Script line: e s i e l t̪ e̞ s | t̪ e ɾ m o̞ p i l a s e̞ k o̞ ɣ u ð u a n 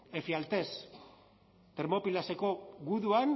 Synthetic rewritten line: e f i a l t̪ e̞ s | t̪ e ɾ m o̞ p i l a s e̞ k o̞ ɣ u ð u a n